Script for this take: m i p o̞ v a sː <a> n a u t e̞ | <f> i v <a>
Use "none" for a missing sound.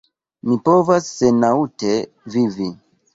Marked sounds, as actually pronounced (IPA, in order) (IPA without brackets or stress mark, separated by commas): e, v, i